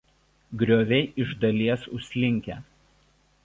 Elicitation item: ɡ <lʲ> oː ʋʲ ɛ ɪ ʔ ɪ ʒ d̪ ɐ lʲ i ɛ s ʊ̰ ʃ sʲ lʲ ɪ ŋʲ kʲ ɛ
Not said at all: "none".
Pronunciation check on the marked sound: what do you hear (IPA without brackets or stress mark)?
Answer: ɾʲ